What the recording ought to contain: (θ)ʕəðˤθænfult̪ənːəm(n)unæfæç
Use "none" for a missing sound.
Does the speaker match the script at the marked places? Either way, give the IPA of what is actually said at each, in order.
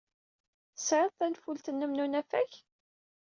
s, n

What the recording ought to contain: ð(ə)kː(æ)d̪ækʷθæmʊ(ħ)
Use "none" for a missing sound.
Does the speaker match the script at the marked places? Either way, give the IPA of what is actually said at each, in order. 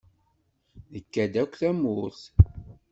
ə, æ, θ

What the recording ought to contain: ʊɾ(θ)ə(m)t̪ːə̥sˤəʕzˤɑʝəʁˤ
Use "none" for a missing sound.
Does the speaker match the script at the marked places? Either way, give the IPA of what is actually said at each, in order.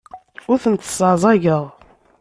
θ, n

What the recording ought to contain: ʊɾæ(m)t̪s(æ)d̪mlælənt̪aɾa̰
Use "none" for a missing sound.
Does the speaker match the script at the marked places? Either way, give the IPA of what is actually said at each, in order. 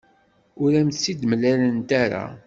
m, i

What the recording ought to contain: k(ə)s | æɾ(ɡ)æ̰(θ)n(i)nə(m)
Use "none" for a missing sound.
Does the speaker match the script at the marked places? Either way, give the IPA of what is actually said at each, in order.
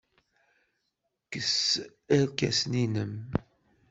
ə, k, s, i, m

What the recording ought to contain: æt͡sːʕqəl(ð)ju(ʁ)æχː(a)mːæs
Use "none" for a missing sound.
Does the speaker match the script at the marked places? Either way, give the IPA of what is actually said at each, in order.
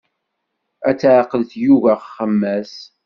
θ, v, ə

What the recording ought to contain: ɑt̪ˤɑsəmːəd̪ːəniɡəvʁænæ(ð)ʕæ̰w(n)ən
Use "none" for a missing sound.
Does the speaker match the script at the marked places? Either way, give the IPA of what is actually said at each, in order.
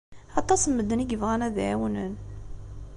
ð, n

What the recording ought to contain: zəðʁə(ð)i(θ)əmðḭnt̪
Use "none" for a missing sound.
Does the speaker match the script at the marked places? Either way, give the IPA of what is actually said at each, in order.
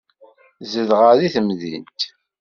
ð, θ

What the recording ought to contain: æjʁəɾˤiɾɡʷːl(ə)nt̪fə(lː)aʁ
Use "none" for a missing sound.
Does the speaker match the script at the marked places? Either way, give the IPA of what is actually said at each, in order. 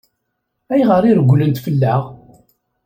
ə, lː

